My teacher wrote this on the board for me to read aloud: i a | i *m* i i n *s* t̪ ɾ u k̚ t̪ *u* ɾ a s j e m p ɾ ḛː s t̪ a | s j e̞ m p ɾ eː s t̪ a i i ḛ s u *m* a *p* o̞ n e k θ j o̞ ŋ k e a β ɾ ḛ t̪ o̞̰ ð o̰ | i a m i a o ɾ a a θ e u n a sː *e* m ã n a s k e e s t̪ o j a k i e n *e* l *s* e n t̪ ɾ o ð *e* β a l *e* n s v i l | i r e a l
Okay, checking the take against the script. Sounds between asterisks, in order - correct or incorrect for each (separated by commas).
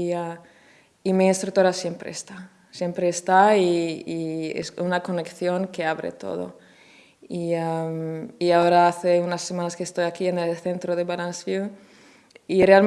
correct, correct, incorrect, incorrect, incorrect, correct, correct, incorrect, correct, incorrect